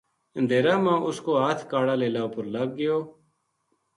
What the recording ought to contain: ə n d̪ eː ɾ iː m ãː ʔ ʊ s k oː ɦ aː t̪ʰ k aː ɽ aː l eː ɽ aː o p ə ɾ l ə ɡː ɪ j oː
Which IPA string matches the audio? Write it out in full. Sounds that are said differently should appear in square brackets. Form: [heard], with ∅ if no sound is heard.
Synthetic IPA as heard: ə n d̪ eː ɾ [aː] m ãː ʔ ʊ s k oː ɦ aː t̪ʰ k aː ɽ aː l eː [l] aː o p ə ɾ l ə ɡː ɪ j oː